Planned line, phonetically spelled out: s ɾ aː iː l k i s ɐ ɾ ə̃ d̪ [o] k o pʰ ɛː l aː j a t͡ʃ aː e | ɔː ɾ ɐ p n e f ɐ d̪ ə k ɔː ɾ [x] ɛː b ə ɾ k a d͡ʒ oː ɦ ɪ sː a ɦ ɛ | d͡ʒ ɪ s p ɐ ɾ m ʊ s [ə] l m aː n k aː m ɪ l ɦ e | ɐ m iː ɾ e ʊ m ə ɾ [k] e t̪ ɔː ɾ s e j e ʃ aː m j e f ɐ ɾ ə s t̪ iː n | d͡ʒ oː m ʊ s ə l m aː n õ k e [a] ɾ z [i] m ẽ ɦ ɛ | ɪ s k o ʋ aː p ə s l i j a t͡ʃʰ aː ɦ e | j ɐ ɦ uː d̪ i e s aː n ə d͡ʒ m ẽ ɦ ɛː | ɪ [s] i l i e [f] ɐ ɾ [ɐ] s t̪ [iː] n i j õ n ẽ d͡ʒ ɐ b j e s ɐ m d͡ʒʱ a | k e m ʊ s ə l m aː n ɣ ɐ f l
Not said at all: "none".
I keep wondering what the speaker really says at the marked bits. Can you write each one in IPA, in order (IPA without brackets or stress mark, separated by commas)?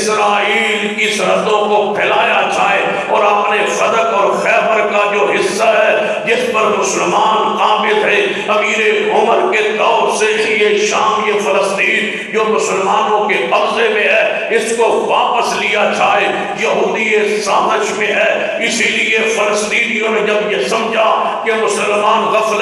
õ, x, ə, k, ɐ, e, s, f, ə, iː